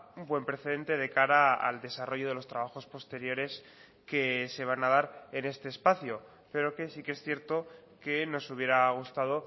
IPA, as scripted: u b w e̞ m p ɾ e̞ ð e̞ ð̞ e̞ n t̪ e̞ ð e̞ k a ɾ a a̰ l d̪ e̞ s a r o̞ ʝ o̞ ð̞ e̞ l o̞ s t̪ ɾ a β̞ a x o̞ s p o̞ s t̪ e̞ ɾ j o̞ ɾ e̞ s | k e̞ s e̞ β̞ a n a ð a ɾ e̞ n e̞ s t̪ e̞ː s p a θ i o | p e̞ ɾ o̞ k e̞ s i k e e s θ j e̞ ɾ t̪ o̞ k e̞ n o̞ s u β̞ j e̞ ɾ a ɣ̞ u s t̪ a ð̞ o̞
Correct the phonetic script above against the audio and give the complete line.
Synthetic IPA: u b w e̞ m p ɾ e̞ θ e̞ ð̞ e̞ n t̪ e̞ ð e̞ k a ɾ a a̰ l d̪ e̞ s a r o̞ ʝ o̞ ð̞ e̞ l o̞ s t̪ ɾ a β̞ a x o̞ s p o̞ s t̪ e̞ ɾ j o̞ ɾ e̞ s | k e̞ s e̞ β̞ a n a ð a ɾ e̞ n e̞ s t̪ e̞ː s p a θ j o | p e̞ ɾ o̞ k e̞ s i k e e s θ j e̞ ɾ t̪ o̞ k e̞ n o̞ s u β̞ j e̞ ɾ a ɣ̞ u s t̪ a ð̞ o̞